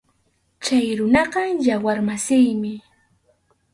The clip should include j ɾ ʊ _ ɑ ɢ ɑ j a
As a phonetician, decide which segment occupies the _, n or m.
n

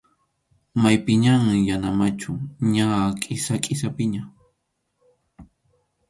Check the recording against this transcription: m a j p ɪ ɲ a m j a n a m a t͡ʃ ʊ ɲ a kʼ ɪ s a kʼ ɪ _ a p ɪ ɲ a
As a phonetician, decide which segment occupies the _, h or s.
s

